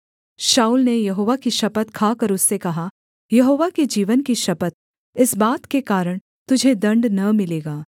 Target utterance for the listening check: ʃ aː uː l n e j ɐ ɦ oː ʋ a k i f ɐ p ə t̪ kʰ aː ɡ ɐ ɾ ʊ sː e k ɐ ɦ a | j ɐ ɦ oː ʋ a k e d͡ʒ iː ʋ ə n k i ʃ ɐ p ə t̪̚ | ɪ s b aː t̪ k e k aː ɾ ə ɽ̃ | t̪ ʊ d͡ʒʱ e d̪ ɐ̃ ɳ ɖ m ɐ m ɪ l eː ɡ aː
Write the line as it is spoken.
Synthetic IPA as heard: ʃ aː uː l n e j ɐ ɦ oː ʋ a k i ʃ ɐ p ə t̪ kʰ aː k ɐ ɾ ʊ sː e k ɐ ɦ a | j ɐ ɦ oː ʋ a k e d͡ʒ iː ʋ ə n k i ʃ ɐ p ə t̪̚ | ɪ s b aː t̪ k e k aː ɾ ə ɽ̃ | t̪ ʊ d͡ʒʱ e d̪ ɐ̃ ɳ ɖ n ɐ m ɪ l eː ɡ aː

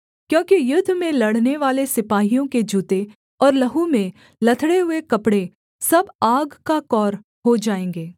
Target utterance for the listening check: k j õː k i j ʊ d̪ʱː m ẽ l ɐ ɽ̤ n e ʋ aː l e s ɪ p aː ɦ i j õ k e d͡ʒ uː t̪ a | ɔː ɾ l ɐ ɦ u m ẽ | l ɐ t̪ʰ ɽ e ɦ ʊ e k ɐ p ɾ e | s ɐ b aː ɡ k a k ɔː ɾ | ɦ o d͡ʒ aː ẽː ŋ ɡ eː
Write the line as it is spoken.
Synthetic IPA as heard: k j õː k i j ʊ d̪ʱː m ẽ l ɐ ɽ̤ n e ʋ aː l e s ɪ p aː ɦ i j õ k e d͡ʒ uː t̪ e | ɔː ɾ l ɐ ɦ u m ẽ | l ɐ t̪ʰ ɽ e ɦ ʊ e k ɐ p ɽ e | s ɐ b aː ɡ k a k ɔː ɾ | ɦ o d͡ʒ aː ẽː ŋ ɡ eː

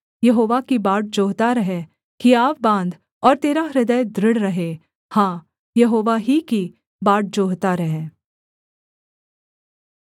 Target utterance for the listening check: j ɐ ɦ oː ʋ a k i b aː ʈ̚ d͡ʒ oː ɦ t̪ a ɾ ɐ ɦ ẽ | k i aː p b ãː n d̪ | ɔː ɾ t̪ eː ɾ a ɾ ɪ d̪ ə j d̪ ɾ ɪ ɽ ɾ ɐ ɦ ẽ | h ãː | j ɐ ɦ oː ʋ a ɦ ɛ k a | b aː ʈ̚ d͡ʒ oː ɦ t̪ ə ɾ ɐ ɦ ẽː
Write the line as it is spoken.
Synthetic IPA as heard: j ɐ ɦ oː ʋ a k i b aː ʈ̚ d͡ʒ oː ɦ t̪ a ɾ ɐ ɦ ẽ | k i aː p b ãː n d̪ | ɔː ɾ t̪ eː ɾ a ɾ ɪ d̪ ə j d̪ ɾ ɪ ɽ ɾ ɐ ɦ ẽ | h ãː | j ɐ ɦ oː ʋ a ɦ i k i | b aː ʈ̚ d͡ʒ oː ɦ t̪ a ɾ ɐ ɦ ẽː

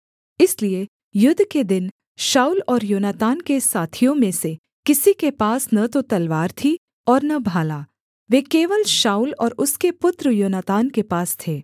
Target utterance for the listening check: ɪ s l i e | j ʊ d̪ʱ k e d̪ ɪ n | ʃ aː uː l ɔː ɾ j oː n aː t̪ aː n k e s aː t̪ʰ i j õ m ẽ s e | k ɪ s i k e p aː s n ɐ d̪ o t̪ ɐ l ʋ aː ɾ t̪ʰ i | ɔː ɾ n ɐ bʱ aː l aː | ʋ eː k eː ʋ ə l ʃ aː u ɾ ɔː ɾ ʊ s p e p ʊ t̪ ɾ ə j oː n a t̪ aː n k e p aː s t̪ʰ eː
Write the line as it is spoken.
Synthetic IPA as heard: ɪ s l i e | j ʊ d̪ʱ k e d̪ ɪ n | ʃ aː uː l ɔː ɾ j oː n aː t̪ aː n k e s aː t̪ʰ i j õ m ẽ s e | k ɪ s i k e p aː s n ɐ t̪ o t̪ ɐ l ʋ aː ɾ t̪ʰ i | ɔː ɾ n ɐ bʱ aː l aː | ʋ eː k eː ʋ ə l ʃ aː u l ɔː ɾ ʊ s k e p ʊ t̪ ɾ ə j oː n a t̪ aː n k e p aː s t̪ʰ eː

